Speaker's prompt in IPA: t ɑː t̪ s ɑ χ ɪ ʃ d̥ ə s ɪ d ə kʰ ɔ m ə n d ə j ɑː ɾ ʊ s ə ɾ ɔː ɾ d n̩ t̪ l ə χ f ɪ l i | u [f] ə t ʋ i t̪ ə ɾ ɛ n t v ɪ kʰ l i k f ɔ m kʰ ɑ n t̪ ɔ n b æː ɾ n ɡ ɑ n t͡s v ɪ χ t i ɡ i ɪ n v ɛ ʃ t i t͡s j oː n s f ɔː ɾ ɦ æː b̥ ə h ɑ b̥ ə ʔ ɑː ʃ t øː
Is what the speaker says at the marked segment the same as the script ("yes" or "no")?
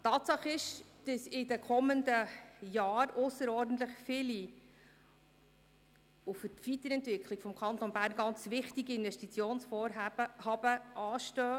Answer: yes